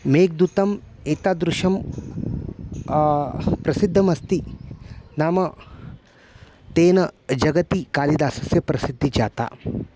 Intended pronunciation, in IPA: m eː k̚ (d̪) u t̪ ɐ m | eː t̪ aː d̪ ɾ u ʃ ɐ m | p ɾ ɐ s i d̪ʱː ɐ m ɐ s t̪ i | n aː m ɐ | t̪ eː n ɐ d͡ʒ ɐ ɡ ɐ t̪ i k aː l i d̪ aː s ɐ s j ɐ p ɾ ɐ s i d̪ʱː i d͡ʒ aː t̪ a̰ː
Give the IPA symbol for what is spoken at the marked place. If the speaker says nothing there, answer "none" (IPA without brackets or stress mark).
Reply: d̪